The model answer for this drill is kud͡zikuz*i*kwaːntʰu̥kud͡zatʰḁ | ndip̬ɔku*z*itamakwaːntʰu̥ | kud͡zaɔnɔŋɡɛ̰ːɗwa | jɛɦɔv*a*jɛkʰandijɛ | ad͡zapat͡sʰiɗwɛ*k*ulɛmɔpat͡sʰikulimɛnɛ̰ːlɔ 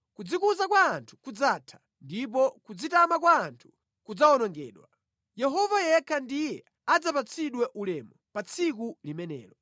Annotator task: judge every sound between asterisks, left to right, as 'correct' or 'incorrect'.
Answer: incorrect: a, incorrect: d͡z, correct, incorrect: ʔ

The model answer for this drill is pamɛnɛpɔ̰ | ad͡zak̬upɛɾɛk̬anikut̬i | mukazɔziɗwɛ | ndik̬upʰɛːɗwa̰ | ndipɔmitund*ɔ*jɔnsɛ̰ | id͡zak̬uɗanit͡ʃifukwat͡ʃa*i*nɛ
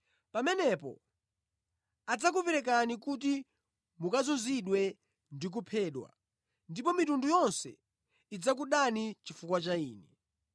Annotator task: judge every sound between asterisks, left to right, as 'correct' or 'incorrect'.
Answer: incorrect: u, incorrect: iː

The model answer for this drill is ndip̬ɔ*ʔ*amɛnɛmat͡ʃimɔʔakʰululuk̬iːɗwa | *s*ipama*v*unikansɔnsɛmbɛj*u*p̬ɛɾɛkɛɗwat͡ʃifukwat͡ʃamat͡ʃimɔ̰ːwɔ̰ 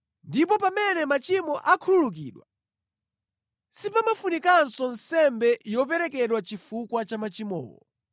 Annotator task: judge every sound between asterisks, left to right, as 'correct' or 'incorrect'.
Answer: incorrect: p, correct, incorrect: f, incorrect: ɔ

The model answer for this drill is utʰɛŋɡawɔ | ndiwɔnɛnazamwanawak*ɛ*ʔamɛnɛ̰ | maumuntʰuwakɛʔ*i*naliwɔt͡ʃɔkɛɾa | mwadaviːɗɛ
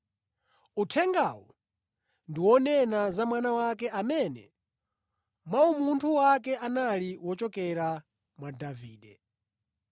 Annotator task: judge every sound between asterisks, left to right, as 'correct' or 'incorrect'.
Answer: correct, incorrect: a

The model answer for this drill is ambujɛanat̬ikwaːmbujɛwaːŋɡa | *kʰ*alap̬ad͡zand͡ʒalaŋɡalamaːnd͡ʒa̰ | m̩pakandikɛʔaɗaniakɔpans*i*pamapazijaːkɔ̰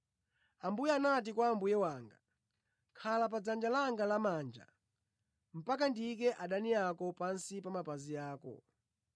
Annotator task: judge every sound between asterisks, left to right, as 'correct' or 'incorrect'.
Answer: correct, correct

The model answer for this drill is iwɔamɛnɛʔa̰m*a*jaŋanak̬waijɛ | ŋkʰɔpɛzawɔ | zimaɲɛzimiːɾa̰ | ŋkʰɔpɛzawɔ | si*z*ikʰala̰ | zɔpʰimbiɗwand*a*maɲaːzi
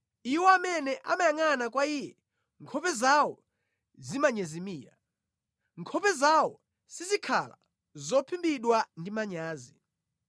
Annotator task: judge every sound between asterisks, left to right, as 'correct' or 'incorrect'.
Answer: correct, correct, incorrect: i

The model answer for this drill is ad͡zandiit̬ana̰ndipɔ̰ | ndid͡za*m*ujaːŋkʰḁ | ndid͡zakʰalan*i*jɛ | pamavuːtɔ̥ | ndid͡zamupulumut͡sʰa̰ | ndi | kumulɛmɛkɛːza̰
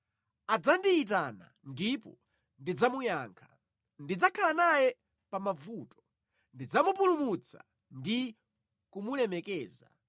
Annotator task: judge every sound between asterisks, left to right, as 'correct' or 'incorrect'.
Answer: correct, incorrect: a

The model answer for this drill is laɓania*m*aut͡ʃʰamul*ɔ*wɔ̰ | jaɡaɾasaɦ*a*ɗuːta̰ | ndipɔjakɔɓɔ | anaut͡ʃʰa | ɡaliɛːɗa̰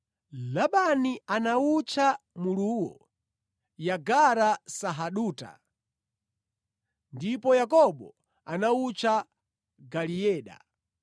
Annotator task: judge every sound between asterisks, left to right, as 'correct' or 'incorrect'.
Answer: incorrect: n, incorrect: u, correct

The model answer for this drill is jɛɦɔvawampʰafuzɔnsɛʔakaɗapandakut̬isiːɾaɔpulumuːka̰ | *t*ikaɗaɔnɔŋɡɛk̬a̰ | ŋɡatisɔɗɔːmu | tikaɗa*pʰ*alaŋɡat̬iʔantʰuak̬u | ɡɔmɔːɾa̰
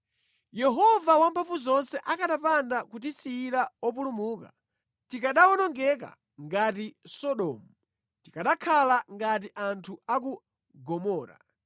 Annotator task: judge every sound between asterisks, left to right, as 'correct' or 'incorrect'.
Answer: correct, incorrect: kʰ

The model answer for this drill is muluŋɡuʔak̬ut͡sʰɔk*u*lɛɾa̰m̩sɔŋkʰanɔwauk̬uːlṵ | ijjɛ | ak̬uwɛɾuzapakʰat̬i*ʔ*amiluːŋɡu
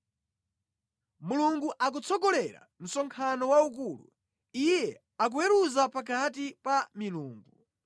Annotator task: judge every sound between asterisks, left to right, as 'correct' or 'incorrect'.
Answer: incorrect: ɔ, incorrect: p

